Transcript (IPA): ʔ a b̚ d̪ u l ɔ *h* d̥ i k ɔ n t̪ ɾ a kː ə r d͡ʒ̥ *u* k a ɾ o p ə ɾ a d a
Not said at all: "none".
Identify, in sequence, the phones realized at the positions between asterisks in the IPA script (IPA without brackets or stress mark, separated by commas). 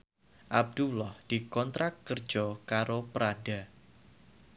h, ɔ